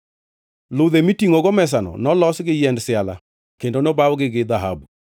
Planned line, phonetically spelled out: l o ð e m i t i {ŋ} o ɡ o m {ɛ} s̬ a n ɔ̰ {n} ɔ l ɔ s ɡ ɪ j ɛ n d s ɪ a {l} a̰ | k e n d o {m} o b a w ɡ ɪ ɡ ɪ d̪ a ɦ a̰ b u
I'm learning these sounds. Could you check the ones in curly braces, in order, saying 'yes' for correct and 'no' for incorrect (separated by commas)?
yes, yes, yes, yes, no